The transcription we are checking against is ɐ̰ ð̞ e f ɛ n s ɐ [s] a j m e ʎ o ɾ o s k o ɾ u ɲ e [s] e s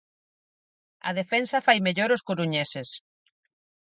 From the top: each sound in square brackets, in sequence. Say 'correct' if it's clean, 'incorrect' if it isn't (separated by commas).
incorrect, correct